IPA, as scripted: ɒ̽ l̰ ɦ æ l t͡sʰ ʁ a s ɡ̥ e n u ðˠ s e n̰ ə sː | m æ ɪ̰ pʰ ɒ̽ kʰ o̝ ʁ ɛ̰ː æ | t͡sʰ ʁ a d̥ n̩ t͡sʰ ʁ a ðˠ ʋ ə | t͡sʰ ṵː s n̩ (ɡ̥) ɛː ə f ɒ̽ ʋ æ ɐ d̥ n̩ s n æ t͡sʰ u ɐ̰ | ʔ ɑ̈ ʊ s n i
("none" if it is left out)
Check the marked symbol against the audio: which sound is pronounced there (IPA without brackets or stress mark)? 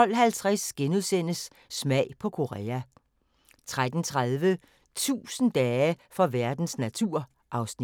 d̥